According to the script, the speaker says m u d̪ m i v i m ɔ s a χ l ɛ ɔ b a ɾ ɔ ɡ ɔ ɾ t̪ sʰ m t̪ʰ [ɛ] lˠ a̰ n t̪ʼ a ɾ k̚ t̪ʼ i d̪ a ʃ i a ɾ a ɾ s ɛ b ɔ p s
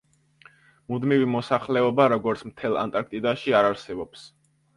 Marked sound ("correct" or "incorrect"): correct